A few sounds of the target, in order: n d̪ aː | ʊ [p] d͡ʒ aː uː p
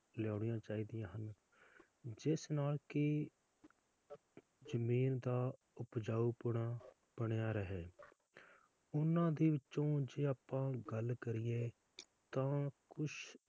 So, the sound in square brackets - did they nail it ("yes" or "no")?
yes